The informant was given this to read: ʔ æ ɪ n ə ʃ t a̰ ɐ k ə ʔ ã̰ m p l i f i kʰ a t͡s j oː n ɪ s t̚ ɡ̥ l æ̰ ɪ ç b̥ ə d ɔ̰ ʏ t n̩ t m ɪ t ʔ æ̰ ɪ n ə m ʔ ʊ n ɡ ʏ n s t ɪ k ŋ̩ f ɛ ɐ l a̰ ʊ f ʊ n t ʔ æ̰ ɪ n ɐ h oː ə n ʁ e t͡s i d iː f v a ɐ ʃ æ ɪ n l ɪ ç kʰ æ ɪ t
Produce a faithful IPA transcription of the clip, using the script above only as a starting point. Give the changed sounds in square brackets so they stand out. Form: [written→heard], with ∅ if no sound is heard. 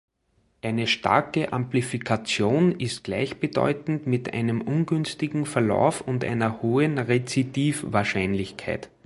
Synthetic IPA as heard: ʔ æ ɪ n ə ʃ t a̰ ɐ k ə ʔ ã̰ m p l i f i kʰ a t͡s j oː n ɪ s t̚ ɡ̥ l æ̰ ɪ ç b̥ ə d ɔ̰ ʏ t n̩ t m ɪ t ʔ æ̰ ɪ n ə m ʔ ʊ n ɡ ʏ n s t ɪ [k→ɡ] ŋ̩ f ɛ ɐ l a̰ ʊ f ʊ n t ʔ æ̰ ɪ n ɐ h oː ə n ʁ e t͡s i d iː f v a ɐ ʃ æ ɪ n l ɪ ç kʰ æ ɪ t